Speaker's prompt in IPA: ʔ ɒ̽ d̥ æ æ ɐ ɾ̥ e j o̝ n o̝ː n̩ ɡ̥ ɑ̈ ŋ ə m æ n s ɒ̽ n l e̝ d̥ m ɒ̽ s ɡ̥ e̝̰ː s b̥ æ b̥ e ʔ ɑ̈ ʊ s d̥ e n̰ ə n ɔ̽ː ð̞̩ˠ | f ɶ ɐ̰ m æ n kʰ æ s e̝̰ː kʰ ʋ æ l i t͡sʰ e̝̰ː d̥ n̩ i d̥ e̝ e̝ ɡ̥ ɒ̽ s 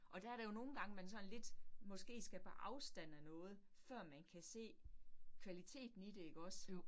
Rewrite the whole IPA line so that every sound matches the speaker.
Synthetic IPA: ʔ ɒ̽ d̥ æ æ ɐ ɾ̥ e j o̝ n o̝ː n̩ ɡ̥ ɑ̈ ŋ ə m æ n s ɒ̽ n l e̝ d̥ m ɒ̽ s ɡ̥ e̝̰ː s ɡ̥ æ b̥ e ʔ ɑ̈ ʊ s d̥ æ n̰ ə n ɔ̽ː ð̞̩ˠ | f ɶ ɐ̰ m æ n kʰ æ s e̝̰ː kʰ ʋ æ l i t͡sʰ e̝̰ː d̥ n̩ i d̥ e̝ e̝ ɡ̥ ɒ̽ s